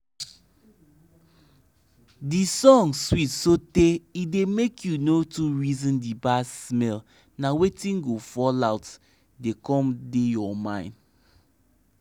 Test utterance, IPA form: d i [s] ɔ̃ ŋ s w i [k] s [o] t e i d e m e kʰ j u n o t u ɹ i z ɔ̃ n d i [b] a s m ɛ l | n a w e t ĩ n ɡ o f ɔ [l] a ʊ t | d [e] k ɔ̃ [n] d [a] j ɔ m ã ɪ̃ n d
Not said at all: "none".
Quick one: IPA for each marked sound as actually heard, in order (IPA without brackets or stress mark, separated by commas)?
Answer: s, t, o, b, l, e, m, e